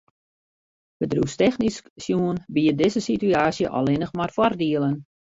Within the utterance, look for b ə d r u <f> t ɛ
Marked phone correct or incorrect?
incorrect